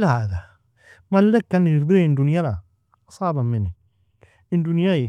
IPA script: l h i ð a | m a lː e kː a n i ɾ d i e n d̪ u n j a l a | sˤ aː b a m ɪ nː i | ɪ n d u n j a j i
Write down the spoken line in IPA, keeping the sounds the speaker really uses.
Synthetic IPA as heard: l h a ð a | m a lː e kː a n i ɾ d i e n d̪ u n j a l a | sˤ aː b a m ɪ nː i | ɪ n d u n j a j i